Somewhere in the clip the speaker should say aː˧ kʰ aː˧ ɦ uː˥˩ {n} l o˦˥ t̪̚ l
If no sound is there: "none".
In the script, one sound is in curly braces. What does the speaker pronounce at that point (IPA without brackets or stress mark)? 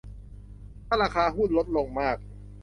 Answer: n